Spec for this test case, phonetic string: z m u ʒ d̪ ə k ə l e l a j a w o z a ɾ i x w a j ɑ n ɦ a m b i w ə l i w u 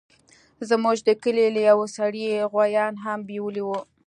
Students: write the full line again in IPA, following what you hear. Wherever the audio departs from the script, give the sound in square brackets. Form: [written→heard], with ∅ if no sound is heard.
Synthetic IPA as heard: z m u ʒ d̪ ə k ə l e l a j a w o [z→s] a [ɾ→ɽ] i [x→ɣ] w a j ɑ n ɦ a m b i w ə l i w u